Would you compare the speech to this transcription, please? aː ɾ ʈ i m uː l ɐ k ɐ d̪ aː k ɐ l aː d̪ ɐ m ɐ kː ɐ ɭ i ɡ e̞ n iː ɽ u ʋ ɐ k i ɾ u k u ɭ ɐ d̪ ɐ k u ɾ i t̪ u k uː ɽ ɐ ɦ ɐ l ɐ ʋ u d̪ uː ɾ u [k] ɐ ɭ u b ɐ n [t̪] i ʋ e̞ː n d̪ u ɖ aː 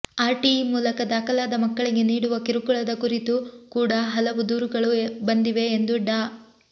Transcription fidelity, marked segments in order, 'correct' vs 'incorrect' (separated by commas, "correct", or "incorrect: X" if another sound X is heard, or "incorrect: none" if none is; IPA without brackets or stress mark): incorrect: ɡ, incorrect: d̪